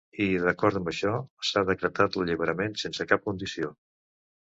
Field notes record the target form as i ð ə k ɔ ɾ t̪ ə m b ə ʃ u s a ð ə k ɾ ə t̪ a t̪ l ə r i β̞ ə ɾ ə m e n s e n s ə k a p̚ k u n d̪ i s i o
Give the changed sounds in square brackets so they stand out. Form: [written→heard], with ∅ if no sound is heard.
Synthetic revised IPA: i ð ə k ɔ ɾ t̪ ə m b ə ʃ [u→ɔ] s a ð ə k ɾ ə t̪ a t̪ l ə [r→ʎ] i β̞ ə ɾ ə m e n s e n s ə k a p̚ k u n d̪ i s i o